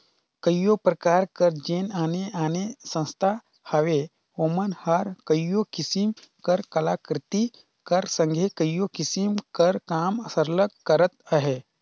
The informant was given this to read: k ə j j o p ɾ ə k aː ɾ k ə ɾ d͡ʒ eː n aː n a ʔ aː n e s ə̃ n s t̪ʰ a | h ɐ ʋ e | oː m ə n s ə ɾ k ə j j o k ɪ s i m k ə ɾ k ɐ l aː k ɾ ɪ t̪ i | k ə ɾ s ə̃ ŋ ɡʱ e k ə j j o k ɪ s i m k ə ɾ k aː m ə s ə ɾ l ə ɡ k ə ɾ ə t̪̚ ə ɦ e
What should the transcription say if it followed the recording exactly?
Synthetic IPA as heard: k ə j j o p ɾ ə k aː ɾ k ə ɾ d͡ʒ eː n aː n e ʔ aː n e s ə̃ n s t̪ʰ a | h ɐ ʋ e | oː m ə n h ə ɾ k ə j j o k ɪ s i m k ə ɾ k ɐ l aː k ɾ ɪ t̪ i | k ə ɾ s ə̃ ŋ ɡʱ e k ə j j o k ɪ s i m k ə ɾ k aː m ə s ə ɾ l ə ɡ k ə ɾ ə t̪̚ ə ɦ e